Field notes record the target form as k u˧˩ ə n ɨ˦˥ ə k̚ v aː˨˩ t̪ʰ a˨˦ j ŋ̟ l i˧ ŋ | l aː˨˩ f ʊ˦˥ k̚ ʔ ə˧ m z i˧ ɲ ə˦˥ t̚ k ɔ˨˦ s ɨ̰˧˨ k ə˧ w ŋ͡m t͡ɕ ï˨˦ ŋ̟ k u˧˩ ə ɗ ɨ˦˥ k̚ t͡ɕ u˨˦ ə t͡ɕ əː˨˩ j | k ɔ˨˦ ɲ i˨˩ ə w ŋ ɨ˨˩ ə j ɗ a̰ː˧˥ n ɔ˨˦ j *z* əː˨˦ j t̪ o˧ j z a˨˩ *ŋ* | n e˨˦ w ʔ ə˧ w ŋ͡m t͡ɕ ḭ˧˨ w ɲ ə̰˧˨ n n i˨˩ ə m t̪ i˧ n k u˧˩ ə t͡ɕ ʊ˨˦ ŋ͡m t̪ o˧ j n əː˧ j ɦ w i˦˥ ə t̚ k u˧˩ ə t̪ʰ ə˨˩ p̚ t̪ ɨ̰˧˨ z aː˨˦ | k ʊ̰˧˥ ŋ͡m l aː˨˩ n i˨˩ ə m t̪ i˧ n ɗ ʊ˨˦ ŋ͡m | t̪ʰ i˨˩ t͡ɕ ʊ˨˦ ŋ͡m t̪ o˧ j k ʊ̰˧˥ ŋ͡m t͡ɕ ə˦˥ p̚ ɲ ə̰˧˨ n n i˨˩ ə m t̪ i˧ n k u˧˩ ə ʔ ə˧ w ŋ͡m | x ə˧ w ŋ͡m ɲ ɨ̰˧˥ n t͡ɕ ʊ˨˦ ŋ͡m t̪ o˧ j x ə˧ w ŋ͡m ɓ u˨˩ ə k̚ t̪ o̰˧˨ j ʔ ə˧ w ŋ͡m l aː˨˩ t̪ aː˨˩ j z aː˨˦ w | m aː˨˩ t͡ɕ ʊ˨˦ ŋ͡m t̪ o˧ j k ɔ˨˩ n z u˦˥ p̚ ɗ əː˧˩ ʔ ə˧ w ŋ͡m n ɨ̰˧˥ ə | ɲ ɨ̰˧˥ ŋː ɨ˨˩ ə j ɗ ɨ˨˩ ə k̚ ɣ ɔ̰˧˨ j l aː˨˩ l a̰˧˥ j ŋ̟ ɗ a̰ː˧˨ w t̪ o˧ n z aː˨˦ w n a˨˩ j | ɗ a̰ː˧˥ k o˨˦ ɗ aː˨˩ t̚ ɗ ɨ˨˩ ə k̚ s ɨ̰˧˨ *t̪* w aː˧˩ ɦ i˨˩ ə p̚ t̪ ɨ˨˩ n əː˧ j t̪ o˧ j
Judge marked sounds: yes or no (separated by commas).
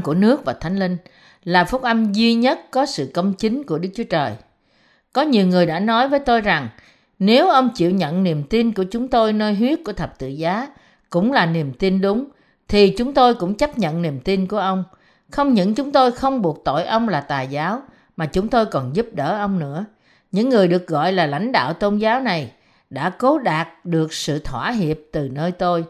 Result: no, yes, no